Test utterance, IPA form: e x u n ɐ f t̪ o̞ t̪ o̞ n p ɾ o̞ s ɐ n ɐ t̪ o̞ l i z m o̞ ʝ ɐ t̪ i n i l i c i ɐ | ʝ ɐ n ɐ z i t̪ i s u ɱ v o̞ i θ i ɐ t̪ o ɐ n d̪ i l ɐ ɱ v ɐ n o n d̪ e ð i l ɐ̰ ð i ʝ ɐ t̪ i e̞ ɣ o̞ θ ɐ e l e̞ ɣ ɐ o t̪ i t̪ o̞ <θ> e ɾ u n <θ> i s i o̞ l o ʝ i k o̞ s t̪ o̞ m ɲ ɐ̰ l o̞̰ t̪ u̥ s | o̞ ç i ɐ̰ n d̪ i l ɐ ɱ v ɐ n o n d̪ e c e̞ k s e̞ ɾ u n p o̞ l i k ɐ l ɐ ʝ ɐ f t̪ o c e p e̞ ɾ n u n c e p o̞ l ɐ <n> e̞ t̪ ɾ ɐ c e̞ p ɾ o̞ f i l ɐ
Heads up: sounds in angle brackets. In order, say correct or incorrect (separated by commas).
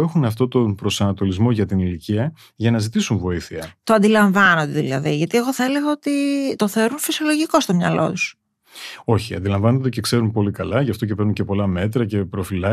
correct, incorrect, incorrect